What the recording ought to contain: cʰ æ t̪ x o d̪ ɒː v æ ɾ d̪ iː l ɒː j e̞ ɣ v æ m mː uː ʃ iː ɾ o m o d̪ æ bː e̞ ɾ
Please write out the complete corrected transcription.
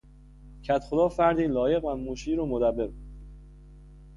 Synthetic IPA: cʰ æ t̪ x o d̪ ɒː f æ ɾ d̪ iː l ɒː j e̞ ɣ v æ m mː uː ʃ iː ɾ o m o d̪ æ bː e̞ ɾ